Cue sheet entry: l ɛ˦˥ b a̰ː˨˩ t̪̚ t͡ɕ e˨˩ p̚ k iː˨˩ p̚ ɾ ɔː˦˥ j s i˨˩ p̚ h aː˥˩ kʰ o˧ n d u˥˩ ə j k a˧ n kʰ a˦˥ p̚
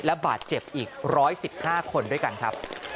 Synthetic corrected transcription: l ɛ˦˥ b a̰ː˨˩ t̪̚ t͡ɕ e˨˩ p̚ ʔ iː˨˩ k̚ ɾ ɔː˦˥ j s i˨˩ p̚ h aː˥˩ kʰ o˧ n d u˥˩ ə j k a˧ n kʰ a˦˥ p̚